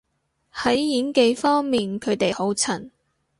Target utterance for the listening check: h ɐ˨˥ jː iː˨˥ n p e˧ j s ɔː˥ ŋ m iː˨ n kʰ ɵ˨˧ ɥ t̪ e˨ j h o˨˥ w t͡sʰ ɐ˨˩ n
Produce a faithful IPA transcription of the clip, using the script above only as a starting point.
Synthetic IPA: h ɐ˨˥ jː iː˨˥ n k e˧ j f ɔː˥ ŋ m iː˨ n kʰ ɵ˨˧ ɥ t̪ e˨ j h o˨˥ w t͡sʰ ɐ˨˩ n